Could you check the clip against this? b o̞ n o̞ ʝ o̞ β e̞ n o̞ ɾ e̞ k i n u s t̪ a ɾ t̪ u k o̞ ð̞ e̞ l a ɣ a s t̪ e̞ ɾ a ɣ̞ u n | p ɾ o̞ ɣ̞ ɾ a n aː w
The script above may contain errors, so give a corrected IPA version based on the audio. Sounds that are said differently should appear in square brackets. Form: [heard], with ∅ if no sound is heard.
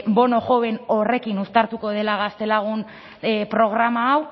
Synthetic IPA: b o̞ n o̞ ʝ o̞ β e̞ n o̞ [r] e̞ k i n u s t̪ a ɾ t̪ u k o̞ ð̞ e̞ l a ɣ a s t̪ e̞ [l] a ɣ̞ u n | p ɾ o̞ ɣ̞ ɾ a [m] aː w